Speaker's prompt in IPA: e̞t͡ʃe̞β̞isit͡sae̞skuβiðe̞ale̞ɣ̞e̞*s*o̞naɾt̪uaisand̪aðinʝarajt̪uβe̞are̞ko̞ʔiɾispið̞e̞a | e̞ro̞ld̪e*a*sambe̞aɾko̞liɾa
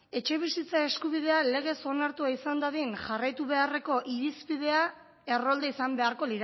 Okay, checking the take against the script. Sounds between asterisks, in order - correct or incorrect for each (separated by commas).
correct, incorrect